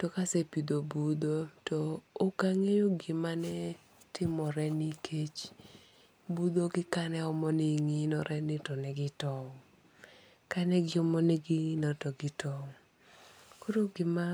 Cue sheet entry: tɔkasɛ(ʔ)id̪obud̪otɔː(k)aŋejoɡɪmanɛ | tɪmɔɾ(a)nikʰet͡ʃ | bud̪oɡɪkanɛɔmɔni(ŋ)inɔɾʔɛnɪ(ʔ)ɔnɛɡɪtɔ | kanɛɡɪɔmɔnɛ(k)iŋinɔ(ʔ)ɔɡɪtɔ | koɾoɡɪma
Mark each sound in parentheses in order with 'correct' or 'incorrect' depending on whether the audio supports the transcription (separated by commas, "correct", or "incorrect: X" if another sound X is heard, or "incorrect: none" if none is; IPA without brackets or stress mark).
incorrect: p, correct, incorrect: ɛ, correct, incorrect: t, incorrect: ɡ, incorrect: t